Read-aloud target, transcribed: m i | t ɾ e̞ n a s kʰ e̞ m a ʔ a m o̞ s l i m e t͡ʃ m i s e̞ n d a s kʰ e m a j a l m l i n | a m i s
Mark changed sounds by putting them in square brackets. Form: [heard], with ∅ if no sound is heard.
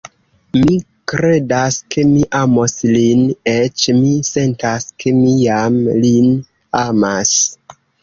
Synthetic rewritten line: m i | [k] ɾ e̞ [d] a s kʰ e̞ m [i] ʔ a m o̞ s l i [n] e t͡ʃ m i s e̞ n [t] a s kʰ e m [i] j a [∅] m l i n | a m [a] s